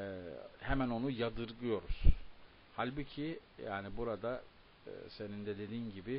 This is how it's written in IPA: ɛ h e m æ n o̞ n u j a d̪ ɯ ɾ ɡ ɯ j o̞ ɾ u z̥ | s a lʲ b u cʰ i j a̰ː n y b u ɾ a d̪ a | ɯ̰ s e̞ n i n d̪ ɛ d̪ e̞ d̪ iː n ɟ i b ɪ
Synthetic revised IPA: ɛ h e m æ n o̞ n u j a d̪ ɯ ɾ ɡ ɯ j o̞ ɾ u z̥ | h a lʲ b u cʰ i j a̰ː n i b u ɾ a d̪ a | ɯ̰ s e̞ n i n d̪ ɛ d̪ e̞ d̪ iː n ɟ i b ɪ

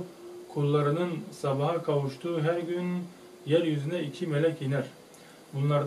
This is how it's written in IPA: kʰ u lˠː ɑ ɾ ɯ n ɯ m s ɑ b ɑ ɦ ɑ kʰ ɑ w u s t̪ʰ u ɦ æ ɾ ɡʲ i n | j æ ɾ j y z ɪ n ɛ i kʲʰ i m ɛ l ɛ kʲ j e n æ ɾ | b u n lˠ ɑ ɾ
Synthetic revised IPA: kʰ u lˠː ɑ ɾ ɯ n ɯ n s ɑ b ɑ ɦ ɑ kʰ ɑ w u ʃ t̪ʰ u ɦ æ ɾ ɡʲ y n | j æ ɾ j y z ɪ n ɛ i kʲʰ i m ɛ l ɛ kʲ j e n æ ɾ | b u n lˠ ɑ ɾ

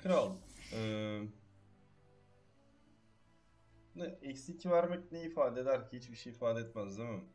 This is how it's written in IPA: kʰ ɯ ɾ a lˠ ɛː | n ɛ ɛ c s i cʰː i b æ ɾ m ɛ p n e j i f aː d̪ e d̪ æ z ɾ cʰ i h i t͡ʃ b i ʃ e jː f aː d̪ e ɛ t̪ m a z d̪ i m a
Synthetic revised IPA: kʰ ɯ ɾ a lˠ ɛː | n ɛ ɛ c s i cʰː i v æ ɾ m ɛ c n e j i f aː d̪ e d̪ æ ɾ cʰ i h i t͡ʃ b i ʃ e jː f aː d̪ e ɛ t̪ m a z d̪ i m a

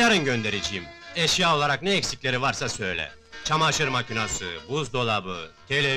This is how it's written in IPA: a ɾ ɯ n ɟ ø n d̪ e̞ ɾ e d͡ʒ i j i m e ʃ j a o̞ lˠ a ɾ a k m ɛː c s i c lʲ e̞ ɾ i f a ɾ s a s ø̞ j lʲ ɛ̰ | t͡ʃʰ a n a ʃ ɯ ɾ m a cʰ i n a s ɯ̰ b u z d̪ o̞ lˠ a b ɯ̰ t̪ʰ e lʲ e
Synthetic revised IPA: a ɾ ɯ n ɟ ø n d̪ e̞ ɾ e d͡ʒ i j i m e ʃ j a o̞ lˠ a ɾ a k n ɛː c s i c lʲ e̞ ɾ i v a ɾ s a s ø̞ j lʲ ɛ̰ | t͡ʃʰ a m a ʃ ɯ ɾ m a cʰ i n a s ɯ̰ b u z d̪ o̞ lˠ a b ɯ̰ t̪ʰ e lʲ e

